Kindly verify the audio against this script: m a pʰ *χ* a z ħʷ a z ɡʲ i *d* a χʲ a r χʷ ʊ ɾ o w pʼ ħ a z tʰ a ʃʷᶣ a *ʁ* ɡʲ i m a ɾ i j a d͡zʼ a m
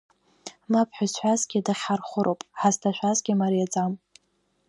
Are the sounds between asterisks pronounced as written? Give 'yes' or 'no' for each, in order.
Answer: no, yes, no

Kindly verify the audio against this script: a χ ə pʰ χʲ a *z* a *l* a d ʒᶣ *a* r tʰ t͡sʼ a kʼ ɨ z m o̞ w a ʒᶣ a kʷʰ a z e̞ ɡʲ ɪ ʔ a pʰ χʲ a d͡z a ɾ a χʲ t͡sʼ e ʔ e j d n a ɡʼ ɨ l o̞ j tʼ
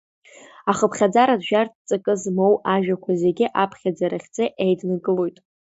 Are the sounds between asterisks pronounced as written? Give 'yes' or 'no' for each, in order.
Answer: no, no, yes

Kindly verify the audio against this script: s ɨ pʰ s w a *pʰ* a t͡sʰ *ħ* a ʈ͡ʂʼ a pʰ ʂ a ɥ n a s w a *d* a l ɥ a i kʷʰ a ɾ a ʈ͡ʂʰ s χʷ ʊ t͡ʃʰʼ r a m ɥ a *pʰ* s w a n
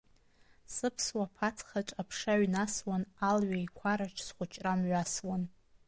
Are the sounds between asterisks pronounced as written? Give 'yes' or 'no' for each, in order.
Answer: yes, no, no, no

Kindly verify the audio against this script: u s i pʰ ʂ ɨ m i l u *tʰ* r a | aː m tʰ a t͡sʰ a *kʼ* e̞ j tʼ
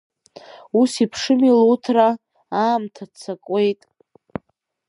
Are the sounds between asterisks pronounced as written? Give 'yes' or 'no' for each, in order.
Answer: yes, yes

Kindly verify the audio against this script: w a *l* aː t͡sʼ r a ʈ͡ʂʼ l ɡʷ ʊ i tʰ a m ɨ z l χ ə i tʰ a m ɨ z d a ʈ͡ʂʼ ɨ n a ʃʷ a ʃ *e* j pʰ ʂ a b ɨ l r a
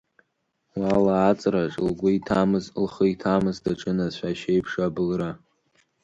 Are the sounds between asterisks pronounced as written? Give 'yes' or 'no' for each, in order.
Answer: yes, yes

